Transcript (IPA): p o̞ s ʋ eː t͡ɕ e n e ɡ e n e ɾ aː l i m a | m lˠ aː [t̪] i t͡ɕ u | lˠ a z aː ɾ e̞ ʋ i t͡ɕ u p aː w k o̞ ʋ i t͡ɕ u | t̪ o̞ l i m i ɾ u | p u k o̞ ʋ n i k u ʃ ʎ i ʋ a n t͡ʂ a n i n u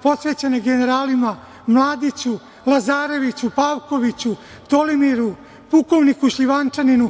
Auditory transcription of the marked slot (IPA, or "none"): d̪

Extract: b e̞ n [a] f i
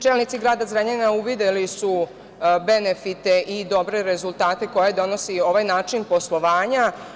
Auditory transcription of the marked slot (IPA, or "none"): e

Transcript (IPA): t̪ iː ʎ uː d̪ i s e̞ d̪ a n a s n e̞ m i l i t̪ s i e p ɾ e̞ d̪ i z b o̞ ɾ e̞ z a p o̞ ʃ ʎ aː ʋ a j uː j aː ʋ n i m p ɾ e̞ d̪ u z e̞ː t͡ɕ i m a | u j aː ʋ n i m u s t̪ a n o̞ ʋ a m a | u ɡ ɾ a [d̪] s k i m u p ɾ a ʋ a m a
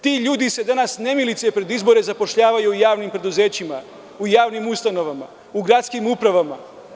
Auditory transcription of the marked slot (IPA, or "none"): t̪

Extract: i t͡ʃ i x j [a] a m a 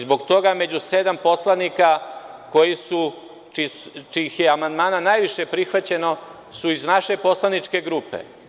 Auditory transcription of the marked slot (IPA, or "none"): e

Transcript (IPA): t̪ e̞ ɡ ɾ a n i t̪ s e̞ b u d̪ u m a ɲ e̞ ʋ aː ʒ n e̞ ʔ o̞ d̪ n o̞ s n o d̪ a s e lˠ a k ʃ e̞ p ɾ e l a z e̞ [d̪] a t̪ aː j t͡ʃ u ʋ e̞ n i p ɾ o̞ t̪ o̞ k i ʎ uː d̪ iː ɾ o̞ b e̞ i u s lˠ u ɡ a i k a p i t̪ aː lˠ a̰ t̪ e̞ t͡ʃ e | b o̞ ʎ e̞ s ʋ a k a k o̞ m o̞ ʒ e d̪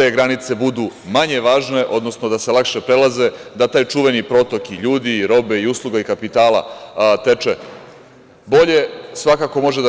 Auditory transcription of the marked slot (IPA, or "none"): d̪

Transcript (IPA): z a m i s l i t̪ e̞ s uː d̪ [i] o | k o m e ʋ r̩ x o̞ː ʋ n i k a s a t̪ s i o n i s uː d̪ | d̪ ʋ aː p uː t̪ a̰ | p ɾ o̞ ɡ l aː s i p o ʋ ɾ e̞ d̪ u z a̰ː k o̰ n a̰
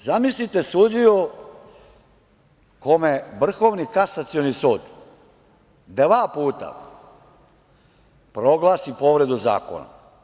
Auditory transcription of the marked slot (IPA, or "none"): i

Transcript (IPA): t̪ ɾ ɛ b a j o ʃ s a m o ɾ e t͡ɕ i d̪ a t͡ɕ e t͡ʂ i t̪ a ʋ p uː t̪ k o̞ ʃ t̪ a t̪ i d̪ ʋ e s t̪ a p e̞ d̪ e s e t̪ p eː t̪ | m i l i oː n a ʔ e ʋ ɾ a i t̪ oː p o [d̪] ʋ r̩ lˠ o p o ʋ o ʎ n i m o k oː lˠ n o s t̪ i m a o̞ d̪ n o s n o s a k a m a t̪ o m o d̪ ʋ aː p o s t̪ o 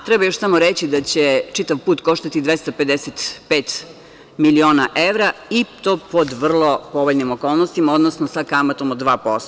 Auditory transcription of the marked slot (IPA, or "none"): d̪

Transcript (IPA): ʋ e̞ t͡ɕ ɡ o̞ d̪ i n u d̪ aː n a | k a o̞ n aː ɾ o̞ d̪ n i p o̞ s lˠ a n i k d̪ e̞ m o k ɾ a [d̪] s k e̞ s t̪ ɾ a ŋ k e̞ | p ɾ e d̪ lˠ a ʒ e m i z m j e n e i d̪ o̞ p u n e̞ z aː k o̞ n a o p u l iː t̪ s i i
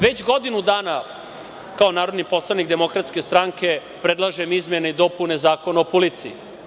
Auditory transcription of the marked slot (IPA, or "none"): t̪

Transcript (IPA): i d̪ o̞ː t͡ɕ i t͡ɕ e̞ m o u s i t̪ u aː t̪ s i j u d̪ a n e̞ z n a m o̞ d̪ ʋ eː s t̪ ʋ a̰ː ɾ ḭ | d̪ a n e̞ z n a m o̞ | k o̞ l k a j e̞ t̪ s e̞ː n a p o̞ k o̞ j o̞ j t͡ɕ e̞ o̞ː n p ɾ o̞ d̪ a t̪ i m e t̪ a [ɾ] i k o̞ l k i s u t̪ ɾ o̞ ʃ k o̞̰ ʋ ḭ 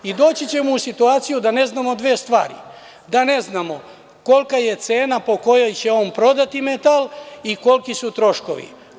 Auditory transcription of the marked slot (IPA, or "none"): l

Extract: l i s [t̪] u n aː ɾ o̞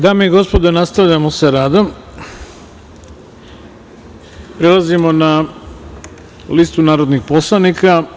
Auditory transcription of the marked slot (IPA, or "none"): t̪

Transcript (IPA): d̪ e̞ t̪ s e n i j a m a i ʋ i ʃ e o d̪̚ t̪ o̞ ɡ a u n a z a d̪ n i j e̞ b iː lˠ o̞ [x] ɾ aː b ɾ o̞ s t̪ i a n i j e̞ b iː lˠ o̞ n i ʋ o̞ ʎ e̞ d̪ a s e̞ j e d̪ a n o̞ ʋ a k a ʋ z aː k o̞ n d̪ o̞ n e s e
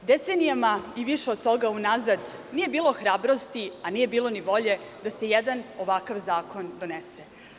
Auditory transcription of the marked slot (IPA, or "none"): x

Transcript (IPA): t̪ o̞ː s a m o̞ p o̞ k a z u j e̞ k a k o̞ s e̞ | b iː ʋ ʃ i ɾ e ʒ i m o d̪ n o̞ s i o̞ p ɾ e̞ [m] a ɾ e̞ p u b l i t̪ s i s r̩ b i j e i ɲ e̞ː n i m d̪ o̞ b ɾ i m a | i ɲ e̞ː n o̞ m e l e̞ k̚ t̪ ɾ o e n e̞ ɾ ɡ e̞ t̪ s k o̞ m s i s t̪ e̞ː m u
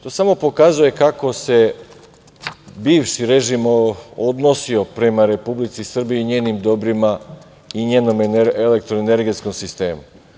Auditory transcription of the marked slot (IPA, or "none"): m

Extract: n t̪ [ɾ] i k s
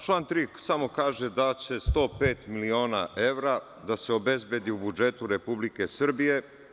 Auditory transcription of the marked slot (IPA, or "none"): ɾ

